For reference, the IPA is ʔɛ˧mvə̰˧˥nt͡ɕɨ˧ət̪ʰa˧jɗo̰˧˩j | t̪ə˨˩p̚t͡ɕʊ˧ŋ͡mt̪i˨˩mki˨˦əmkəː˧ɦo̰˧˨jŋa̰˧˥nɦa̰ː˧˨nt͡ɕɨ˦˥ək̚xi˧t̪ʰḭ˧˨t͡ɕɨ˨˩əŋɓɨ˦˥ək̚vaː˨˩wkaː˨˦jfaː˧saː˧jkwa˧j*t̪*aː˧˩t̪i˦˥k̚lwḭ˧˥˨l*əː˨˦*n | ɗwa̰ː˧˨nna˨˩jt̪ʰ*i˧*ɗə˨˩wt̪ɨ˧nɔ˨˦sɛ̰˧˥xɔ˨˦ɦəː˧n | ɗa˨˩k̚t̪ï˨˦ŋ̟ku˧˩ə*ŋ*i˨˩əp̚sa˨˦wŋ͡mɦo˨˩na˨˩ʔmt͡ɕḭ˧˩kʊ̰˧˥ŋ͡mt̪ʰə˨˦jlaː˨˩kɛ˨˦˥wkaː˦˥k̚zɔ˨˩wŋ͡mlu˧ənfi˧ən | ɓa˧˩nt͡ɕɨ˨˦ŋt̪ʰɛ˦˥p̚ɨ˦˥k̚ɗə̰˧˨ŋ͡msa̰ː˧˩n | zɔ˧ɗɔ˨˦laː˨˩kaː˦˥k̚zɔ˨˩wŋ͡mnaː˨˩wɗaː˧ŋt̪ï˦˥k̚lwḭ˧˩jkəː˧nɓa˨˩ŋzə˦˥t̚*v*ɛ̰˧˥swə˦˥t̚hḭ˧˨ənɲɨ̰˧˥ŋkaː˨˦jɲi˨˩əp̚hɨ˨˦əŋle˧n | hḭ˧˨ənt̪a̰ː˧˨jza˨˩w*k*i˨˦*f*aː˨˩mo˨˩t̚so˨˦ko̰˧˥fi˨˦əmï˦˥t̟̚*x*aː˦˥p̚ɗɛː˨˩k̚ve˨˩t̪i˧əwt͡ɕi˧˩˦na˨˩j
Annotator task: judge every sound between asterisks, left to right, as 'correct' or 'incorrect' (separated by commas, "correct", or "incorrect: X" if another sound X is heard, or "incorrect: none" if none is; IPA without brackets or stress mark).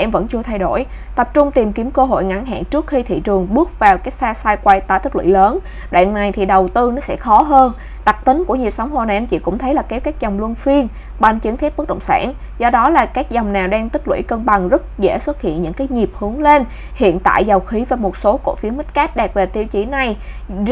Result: correct, correct, incorrect: i˨˩, incorrect: ɲ, incorrect: z, incorrect: x, incorrect: v, incorrect: k